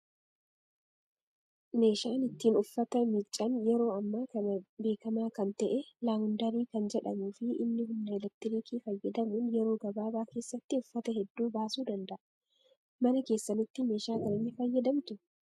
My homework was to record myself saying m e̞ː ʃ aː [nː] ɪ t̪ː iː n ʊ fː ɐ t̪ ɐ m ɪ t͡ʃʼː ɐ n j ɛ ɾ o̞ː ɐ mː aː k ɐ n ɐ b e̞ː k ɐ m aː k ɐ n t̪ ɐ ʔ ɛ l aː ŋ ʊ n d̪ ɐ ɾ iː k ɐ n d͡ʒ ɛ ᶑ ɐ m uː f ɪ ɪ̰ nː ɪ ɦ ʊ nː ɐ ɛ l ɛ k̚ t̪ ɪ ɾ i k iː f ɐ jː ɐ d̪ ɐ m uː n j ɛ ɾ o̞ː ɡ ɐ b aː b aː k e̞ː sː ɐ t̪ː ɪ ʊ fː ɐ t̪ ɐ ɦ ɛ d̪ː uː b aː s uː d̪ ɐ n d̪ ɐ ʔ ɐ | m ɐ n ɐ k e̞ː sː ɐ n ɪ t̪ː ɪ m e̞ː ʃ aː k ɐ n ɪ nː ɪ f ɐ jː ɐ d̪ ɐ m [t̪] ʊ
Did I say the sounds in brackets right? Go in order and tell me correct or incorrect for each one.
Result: incorrect: n, correct

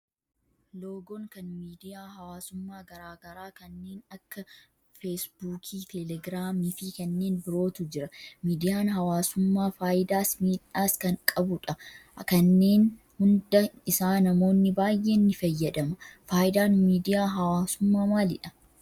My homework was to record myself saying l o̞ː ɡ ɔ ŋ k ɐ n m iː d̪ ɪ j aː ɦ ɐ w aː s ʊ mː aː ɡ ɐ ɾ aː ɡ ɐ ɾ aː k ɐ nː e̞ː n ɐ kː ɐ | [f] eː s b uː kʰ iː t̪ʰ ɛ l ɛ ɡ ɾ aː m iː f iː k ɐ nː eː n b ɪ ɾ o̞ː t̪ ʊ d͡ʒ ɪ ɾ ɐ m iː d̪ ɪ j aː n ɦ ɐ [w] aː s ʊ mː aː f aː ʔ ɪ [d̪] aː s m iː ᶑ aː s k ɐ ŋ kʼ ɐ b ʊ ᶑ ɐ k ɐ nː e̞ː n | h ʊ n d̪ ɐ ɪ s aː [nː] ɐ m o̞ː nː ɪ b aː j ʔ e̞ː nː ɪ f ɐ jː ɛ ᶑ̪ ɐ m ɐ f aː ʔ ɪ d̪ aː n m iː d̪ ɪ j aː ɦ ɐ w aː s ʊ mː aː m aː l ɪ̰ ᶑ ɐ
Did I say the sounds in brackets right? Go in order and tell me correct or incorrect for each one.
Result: correct, correct, correct, incorrect: n

